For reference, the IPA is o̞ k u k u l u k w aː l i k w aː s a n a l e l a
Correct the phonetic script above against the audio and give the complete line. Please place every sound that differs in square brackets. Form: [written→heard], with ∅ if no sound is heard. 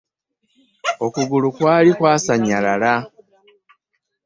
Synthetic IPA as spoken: o̞ k u [k→ɡ] u l u k w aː l i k w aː s a [n→ɲ] a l [e→a] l a